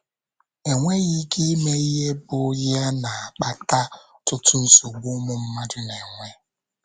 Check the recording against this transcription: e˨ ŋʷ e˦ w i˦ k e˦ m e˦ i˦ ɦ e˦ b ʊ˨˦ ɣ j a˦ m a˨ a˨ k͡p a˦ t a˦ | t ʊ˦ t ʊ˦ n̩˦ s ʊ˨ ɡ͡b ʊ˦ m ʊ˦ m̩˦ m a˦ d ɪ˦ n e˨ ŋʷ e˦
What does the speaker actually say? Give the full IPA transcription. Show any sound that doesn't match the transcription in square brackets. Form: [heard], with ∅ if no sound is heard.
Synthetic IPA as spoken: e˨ ŋʷ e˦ [ɣ] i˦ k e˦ m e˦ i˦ ɦ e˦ b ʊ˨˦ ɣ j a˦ [n] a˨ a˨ k͡p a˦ t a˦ | t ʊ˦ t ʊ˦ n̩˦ s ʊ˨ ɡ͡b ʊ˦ m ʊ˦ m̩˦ m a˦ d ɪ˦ n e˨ ŋʷ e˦